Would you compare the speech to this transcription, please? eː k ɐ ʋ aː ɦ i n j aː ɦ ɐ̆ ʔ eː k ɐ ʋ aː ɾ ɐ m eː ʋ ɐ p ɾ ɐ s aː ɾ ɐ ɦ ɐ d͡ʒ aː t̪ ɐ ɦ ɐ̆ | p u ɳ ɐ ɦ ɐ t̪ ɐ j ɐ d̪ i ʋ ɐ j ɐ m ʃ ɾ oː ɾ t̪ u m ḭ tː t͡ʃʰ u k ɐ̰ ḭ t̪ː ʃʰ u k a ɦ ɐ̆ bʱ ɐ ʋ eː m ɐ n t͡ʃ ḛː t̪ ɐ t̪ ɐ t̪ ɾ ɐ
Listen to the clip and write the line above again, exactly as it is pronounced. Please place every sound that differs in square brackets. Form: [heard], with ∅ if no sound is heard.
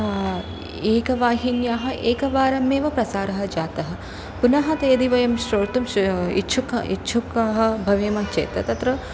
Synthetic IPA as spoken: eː k ɐ ʋ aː ɦ i n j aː ɦ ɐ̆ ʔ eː k ɐ ʋ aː ɾ ɐ m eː ʋ ɐ p ɾ ɐ s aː ɾ ɐ ɦ ɐ d͡ʒ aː t̪ ɐ ɦ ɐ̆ | p u [n] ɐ ɦ ɐ t̪ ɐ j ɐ d̪ i ʋ ɐ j ɐ m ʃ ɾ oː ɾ t̪ u m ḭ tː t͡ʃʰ u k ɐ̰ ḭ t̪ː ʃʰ u k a ɦ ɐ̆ bʱ ɐ ʋ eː m ɐ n t͡ʃ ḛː t̪ ɐ t̪ ɐ t̪ ɾ ɐ